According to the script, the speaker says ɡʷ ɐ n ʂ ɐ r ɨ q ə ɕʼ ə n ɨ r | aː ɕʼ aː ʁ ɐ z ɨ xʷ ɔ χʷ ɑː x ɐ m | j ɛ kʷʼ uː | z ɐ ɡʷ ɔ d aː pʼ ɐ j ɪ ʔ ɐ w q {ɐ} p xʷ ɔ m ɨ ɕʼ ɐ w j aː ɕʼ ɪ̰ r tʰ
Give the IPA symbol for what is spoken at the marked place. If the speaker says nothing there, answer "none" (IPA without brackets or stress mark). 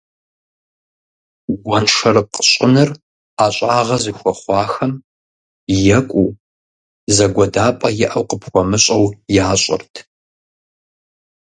ə